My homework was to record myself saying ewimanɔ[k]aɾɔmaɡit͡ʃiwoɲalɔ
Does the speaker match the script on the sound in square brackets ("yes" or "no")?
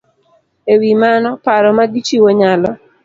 no